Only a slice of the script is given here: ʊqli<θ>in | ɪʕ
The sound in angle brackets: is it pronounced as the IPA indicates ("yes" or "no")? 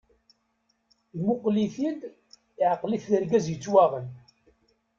yes